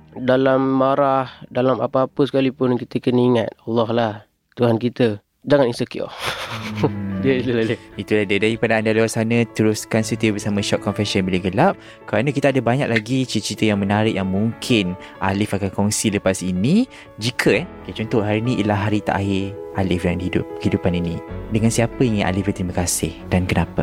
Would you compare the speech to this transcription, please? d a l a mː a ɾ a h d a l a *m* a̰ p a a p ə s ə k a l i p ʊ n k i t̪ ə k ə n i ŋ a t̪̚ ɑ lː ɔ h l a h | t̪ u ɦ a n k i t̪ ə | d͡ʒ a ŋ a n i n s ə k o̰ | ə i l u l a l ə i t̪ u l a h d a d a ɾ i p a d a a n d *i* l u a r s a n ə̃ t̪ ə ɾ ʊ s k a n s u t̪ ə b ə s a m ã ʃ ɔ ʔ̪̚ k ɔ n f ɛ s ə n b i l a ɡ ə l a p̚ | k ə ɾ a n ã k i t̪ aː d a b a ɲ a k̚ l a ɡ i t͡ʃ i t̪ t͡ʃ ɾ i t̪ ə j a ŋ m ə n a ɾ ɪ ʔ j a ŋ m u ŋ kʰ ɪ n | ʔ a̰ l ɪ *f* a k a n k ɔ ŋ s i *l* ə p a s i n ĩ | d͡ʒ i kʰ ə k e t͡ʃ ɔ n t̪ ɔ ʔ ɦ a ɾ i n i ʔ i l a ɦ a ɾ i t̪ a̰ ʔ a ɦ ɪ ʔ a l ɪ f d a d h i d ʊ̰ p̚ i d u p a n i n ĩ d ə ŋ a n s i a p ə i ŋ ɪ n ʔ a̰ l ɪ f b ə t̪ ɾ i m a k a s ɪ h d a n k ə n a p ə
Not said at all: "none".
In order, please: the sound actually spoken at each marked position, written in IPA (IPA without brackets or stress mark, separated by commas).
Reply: m, a, f, l